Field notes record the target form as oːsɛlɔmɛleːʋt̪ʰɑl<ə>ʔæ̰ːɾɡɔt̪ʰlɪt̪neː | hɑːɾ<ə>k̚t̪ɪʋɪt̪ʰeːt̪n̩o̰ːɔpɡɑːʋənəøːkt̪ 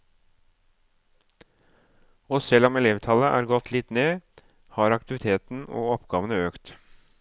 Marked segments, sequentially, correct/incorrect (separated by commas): correct, incorrect